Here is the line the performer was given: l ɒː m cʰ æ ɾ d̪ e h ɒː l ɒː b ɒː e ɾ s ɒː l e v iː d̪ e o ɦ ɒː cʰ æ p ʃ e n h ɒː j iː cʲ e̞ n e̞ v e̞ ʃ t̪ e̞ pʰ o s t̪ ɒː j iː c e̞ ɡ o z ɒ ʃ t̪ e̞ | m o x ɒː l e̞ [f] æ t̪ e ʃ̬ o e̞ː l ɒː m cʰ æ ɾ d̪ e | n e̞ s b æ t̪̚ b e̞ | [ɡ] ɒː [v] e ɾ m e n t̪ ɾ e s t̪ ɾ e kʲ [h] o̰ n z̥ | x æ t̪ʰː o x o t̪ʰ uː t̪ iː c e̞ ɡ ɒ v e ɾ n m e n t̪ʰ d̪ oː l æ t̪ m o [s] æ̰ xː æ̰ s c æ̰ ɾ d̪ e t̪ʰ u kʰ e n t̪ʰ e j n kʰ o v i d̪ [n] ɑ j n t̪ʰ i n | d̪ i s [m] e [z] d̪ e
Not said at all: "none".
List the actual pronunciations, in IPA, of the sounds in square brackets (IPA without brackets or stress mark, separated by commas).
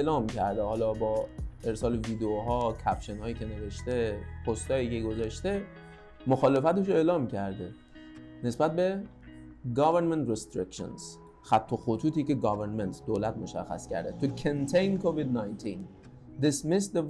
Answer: f, ɡ, v, ʃ, ʃ, n, m, s